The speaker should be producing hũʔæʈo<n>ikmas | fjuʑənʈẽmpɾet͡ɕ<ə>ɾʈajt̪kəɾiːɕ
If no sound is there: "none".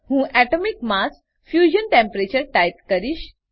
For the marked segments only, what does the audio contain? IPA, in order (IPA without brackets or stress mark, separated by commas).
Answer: m, ə